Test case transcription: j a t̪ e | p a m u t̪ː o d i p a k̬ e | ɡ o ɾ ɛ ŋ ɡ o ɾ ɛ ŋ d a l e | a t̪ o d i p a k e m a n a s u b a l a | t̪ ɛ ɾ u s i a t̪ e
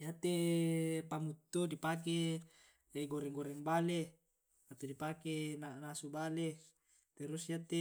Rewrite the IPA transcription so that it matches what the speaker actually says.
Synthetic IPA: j a t̪ e | p a m u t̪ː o d i p a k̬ e | ɡ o ɾ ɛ ŋ ɡ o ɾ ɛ ŋ b a l e | a t̪ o d i p a k e n a n a s u b a l e | t̪ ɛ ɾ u s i a t̪ e